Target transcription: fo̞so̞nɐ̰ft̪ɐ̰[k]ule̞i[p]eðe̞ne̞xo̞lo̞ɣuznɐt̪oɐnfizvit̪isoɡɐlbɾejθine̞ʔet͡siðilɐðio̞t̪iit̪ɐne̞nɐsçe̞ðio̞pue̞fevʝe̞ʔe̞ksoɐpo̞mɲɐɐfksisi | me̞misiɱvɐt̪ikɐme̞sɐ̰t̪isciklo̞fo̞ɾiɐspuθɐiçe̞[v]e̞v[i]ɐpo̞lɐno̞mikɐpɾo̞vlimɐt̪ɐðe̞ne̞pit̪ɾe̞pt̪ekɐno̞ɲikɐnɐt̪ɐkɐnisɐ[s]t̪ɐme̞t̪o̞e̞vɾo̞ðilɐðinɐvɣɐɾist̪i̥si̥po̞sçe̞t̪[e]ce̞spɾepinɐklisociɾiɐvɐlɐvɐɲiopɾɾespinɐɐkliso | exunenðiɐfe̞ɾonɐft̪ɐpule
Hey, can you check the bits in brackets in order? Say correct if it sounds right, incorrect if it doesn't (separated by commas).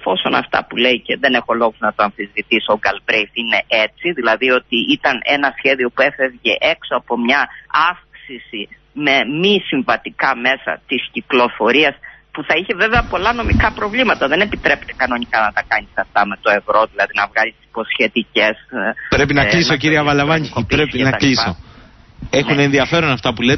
incorrect, incorrect, correct, incorrect, incorrect, incorrect